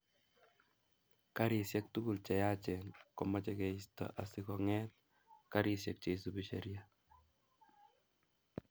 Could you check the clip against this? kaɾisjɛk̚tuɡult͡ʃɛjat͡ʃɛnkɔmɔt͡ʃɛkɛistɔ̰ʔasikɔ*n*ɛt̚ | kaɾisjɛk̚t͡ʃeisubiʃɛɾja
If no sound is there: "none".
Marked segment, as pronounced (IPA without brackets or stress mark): ŋ